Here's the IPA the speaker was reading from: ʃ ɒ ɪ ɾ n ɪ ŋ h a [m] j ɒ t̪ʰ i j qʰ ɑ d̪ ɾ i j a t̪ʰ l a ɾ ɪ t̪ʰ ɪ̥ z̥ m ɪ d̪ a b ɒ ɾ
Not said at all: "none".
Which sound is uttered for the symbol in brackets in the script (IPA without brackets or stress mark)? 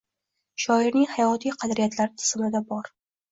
none